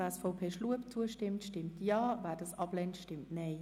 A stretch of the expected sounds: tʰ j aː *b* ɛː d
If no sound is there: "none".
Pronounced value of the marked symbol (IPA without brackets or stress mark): v